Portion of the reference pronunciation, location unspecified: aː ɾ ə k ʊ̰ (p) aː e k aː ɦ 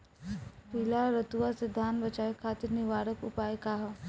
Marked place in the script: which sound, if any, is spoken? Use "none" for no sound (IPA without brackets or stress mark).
p